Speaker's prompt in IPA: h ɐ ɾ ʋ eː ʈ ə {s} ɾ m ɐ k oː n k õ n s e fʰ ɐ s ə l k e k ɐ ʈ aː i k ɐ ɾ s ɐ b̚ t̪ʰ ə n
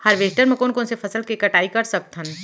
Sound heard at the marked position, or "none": none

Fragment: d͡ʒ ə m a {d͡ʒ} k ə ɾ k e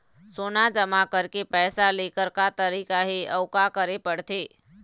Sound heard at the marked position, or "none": none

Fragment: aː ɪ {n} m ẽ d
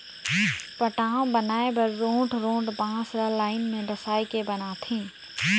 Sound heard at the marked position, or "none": n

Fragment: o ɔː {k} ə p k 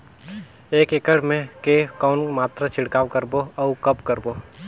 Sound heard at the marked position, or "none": k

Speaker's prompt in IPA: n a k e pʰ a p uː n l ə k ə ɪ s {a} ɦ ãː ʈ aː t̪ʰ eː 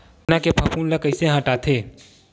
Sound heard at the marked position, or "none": e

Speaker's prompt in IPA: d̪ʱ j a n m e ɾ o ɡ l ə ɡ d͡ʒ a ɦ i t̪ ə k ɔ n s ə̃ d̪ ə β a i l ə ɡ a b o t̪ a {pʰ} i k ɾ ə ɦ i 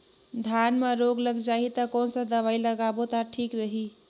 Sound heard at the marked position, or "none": ʈʰ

